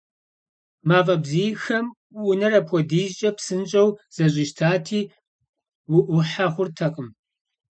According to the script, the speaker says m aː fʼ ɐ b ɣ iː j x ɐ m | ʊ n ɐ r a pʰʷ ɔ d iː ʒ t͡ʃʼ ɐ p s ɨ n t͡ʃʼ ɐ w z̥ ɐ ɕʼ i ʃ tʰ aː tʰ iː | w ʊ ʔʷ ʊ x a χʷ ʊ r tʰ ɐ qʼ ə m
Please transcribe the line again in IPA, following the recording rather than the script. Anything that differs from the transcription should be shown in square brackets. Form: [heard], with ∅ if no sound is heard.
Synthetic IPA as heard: m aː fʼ ɐ b [z] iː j x ɐ m | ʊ n ɐ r [ɐ] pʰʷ ɔ d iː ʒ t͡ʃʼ ɐ p s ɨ n t͡ʃʼ ɐ w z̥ ɐ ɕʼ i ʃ tʰ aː tʰ iː | w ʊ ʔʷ ʊ [ħ] a χʷ ʊ r tʰ ɐ qʼ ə m